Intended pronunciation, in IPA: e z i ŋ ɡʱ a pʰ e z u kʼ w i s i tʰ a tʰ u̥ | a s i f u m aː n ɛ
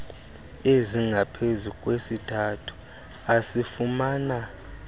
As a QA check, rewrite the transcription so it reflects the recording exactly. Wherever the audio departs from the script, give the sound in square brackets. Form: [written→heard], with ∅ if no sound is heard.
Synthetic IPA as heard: e z i ŋ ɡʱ a pʰ e z u kʼ w [i→e] s i tʰ a tʰ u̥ | a s i f u m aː n [ɛ→a]